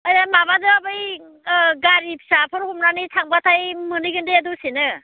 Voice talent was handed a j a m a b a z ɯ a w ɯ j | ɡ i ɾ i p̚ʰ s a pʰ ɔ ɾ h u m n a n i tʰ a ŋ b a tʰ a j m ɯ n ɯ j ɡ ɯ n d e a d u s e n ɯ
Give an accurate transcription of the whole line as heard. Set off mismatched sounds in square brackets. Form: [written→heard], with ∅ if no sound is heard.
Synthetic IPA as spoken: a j a m a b a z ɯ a [w→b] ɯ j | ɡ [i→a] ɾ i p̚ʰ s a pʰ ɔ ɾ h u m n a n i tʰ a ŋ b a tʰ a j m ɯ n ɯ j ɡ ɯ n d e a d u s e n ɯ